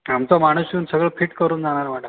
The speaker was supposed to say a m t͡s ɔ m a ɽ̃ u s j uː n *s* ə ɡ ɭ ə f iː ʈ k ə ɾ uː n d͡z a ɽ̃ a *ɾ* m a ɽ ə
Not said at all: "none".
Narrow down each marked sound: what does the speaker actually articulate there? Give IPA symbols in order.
s, ɾ

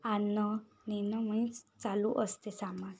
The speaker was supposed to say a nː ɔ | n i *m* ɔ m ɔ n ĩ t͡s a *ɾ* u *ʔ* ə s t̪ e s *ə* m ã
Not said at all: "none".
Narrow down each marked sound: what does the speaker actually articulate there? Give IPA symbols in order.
n, l, ʔ, a

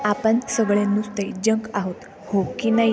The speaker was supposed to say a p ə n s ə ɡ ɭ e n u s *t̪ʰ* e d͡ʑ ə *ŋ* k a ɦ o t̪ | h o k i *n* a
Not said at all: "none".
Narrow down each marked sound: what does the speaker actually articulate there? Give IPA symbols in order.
t̪, ŋ, n

